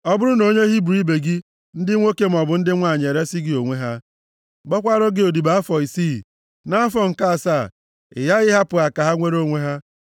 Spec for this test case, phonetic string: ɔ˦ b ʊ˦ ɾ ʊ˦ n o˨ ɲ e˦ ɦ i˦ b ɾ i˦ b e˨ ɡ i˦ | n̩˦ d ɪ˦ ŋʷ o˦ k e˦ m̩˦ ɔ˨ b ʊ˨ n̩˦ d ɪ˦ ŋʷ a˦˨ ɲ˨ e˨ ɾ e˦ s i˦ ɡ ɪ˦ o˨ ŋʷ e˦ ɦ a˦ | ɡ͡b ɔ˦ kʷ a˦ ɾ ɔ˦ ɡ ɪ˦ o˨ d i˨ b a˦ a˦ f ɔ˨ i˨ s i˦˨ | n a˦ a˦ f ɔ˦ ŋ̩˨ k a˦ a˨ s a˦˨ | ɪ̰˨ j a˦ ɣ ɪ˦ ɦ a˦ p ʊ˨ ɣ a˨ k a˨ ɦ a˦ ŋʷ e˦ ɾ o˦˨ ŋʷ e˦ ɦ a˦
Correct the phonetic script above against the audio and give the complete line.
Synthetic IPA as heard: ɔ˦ b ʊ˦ ɾ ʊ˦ n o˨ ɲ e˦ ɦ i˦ b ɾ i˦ b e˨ ɡ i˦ | n̩˦ d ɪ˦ ŋʷ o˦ k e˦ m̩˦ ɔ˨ b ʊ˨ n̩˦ d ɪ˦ ŋʷ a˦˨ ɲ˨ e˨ ɾ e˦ s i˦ ɡ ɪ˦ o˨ ŋʷ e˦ ɦ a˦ | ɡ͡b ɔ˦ kʷ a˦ ɾ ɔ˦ ɡ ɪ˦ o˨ d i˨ b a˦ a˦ f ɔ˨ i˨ s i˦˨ | n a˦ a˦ f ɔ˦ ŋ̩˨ k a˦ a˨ s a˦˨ | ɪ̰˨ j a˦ ɣ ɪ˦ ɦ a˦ p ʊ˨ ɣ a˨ k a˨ ɦ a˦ ŋʷ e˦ ɾ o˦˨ ŋʷ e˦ ɦ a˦